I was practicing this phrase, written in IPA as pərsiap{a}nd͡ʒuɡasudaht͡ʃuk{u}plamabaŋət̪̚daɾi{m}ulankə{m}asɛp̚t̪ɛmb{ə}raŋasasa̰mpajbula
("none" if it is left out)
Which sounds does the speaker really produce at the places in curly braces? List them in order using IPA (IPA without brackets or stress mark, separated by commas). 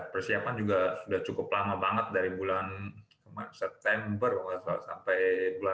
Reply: a, ʊ, b, m, ə